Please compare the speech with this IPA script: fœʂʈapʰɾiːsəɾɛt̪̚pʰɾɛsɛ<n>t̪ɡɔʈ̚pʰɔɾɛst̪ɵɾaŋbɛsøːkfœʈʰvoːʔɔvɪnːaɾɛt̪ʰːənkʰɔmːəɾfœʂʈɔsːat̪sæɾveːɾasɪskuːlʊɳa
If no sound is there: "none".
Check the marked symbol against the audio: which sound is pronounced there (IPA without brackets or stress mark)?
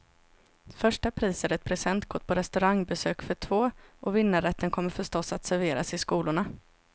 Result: n